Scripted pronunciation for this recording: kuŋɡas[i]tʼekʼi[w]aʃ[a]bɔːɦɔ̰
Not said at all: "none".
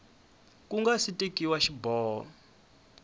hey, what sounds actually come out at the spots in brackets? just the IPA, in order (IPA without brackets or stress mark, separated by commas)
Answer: i, w, i